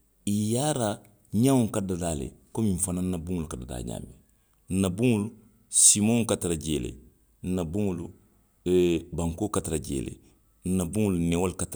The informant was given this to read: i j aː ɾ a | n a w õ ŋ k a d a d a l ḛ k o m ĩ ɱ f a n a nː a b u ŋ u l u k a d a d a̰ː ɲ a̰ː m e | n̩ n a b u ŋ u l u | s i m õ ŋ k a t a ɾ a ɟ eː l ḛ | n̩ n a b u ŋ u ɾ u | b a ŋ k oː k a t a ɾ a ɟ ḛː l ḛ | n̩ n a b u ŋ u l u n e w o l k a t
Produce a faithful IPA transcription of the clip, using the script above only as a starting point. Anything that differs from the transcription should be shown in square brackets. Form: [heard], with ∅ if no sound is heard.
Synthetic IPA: i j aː ɾ a | [ɲ] a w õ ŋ k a d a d a l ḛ k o m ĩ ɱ f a n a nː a b u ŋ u l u k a d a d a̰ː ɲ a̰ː m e | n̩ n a b u ŋ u l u | s i m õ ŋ k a t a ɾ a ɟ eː l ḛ | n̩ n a b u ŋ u [l] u | b a ŋ k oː k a t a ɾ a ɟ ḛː l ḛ | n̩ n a b u ŋ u l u n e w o l k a t